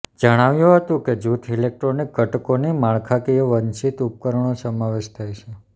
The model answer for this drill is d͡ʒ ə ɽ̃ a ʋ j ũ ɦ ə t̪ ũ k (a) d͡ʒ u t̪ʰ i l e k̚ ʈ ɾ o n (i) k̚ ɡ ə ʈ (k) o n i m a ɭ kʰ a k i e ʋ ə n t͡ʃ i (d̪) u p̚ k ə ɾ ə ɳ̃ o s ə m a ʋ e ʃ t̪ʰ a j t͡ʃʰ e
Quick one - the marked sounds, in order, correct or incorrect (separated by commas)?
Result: incorrect, correct, correct, incorrect